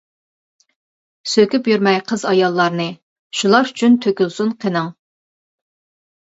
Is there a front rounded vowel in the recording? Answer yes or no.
yes